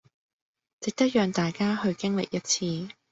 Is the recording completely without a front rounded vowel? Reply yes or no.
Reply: no